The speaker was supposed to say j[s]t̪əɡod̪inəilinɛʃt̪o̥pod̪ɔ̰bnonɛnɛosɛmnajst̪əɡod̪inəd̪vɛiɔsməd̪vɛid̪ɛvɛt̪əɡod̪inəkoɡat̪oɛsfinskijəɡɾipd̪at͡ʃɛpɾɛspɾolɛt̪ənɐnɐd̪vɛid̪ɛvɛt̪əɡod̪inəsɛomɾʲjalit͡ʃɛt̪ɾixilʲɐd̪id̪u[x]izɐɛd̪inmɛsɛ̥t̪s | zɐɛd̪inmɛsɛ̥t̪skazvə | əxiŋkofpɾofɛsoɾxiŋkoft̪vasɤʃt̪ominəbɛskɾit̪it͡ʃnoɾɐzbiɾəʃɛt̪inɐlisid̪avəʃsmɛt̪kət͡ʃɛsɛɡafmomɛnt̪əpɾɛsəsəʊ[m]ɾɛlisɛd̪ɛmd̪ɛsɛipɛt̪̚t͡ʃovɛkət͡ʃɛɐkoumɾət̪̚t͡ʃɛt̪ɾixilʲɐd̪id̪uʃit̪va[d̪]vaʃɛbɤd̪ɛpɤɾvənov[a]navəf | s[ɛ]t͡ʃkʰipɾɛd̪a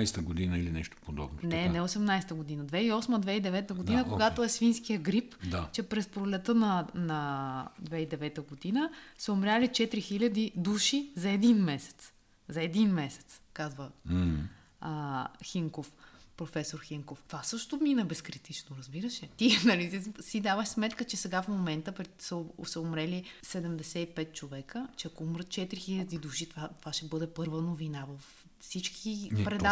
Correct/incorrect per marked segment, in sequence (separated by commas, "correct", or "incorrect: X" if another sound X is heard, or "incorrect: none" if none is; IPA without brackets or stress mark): correct, incorrect: ʃ, correct, incorrect: t̪, incorrect: i, incorrect: i